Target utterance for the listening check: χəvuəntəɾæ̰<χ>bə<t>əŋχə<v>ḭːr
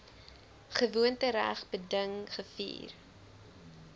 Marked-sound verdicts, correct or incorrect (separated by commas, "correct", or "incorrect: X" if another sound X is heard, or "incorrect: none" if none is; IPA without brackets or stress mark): correct, incorrect: d, incorrect: f